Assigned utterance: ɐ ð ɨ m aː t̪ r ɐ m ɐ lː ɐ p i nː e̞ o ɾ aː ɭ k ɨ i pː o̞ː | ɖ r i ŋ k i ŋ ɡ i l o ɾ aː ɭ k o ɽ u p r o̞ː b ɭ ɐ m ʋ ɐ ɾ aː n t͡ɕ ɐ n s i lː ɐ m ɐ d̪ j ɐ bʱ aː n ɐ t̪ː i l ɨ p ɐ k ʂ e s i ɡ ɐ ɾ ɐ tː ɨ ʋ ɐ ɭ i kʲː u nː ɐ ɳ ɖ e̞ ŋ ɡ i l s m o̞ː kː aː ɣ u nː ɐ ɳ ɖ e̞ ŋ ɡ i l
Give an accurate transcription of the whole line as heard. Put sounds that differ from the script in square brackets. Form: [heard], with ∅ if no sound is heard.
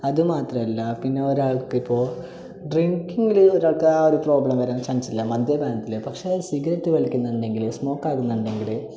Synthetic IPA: ɐ ð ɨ m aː t̪ r ɐ m ɐ lː ɐ p i nː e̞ o ɾ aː ɭ k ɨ i pː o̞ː | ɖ r i ŋ k i ŋ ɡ i l o ɾ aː ɭ k o [ɾ] u p r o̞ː b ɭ ɐ m ʋ ɐ ɾ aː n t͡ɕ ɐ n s i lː ɐ m ɐ d̪ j ɐ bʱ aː n ɐ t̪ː i l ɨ p ɐ k ʂ e s i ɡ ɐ ɾ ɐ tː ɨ ʋ ɐ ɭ i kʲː u nː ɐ ɳ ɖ e̞ ŋ ɡ i l s m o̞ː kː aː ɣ u nː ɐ ɳ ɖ e̞ ŋ ɡ i l